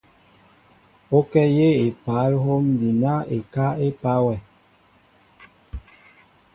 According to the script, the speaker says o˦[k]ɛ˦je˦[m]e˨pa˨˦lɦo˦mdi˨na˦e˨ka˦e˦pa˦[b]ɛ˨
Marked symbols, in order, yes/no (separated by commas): yes, no, no